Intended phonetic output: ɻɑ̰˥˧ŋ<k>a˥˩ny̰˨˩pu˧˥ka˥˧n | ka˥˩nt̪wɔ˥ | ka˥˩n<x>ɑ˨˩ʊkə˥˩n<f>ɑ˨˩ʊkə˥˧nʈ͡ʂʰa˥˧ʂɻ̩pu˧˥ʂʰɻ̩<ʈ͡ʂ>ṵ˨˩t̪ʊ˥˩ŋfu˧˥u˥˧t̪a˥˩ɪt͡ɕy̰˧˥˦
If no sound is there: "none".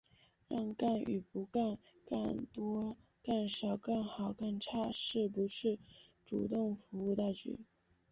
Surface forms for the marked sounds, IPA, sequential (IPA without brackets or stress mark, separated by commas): k, ʂ, x, ʈ͡ʂ